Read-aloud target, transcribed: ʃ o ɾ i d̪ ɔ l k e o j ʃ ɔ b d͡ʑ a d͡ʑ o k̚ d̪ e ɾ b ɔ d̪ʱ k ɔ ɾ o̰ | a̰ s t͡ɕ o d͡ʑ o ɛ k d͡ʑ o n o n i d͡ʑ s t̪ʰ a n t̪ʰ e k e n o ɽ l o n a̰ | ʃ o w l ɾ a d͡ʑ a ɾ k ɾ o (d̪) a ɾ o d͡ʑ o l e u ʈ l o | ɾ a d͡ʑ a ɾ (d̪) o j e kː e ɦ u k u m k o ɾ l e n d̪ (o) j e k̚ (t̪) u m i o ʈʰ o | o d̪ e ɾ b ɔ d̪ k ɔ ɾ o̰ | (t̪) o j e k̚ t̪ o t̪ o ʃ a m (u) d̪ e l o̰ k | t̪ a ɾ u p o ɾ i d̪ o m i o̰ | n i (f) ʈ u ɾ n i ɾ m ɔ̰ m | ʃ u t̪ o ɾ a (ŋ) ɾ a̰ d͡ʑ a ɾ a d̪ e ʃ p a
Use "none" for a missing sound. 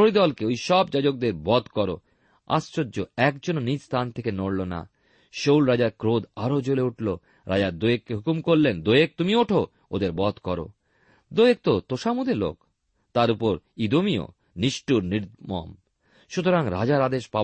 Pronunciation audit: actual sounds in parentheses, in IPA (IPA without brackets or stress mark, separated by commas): d̪, d̪, o, t̪, d̪, u, ʃ, ŋ